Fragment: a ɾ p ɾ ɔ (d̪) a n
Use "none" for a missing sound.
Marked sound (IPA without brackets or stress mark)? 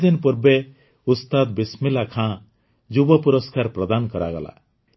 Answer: d̪